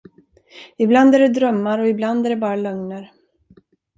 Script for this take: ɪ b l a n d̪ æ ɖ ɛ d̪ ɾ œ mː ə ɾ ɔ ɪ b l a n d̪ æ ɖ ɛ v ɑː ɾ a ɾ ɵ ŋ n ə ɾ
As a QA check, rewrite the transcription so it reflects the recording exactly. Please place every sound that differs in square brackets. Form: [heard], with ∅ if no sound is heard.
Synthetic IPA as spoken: ɪ b l a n d̪ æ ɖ ɛ d̪ ɾ œ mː [a] ɾ ɔ ɪ b l a n d̪ æ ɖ ɛ [b] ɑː ɾ a [l] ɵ ŋ n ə ɾ

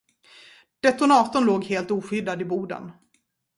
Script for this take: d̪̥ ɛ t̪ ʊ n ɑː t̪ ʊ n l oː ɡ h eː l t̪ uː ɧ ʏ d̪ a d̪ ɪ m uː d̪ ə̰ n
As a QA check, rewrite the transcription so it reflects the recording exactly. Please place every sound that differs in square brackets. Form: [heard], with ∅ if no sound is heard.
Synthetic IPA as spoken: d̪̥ ɛ t̪ ʊ n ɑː t̪ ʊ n l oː ɡ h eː l t̪ uː ɧ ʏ d̪ a d̪ ɪ [b] uː d̪ ə̰ n

